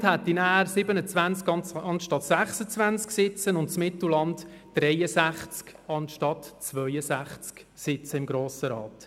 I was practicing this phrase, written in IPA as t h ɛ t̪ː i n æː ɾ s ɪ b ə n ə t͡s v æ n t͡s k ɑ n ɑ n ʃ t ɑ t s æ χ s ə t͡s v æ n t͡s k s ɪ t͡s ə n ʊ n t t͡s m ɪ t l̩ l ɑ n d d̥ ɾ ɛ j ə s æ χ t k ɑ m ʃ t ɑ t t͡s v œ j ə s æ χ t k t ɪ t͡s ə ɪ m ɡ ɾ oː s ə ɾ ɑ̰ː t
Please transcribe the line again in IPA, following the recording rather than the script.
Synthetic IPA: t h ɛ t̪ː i n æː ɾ s ɪ b ə n ə t͡s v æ n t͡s k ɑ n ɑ n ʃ t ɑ t s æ χ s ə t͡s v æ n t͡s k s ɪ t͡s ə n ʊ n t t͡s m ɪ t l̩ l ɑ n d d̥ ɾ ɛ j ə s æ χ t͡s k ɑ n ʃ t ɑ t t͡s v œ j ə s æ χ t͡s k s ɪ t͡s ə ɪ m ɡ ɾ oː s ə ɾ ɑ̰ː t